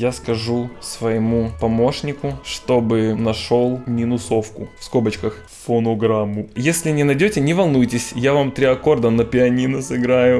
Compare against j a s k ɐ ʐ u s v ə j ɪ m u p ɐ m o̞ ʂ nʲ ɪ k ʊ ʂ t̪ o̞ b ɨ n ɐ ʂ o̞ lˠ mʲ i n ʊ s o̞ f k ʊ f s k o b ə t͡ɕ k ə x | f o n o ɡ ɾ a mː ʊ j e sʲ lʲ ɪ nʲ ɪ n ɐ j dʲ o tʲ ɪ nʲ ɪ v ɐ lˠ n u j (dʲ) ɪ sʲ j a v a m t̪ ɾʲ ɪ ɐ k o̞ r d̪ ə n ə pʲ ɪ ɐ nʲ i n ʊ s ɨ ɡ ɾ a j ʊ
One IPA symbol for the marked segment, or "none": tʲ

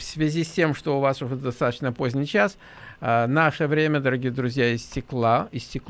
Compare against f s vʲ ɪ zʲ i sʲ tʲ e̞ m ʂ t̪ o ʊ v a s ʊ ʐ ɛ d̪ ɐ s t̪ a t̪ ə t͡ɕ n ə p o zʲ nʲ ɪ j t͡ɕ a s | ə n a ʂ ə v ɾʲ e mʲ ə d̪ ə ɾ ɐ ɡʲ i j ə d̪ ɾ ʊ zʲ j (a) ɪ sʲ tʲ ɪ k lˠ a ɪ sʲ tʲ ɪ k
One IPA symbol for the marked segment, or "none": a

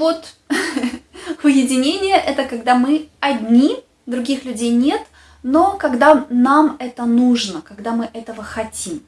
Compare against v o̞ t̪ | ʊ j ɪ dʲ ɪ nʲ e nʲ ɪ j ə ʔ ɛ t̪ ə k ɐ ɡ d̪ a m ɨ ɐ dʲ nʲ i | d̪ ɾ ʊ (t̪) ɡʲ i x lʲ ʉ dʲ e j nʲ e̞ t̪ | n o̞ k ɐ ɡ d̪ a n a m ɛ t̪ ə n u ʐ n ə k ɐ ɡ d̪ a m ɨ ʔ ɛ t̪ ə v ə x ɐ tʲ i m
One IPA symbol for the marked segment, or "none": none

